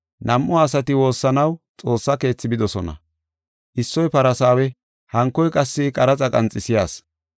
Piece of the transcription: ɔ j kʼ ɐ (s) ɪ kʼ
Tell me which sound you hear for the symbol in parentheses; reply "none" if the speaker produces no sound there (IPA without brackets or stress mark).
sː